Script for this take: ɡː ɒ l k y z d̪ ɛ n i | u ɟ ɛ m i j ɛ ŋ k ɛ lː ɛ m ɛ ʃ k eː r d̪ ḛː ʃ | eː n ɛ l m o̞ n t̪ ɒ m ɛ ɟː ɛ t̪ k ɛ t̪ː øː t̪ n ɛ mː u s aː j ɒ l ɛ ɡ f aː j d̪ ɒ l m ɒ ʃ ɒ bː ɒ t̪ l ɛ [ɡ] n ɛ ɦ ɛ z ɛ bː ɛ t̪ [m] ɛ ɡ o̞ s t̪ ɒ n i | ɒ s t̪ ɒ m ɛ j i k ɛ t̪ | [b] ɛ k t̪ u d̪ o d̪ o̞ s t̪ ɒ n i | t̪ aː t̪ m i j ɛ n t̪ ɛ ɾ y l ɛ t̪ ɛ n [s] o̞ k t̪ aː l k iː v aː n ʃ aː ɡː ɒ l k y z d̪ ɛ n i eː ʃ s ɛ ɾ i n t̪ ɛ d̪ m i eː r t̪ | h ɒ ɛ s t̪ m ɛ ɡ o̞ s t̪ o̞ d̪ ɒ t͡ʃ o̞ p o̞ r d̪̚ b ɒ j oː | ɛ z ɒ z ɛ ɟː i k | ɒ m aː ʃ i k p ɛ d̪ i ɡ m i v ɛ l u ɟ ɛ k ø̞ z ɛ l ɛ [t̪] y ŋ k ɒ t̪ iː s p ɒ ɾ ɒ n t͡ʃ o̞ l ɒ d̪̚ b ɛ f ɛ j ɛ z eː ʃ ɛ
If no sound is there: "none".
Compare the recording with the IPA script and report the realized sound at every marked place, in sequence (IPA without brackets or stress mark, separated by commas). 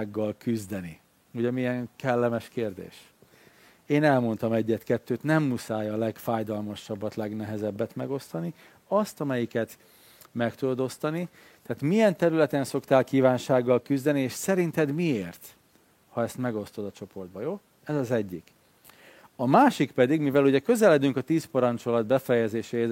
ɡ, m, m, s, d̪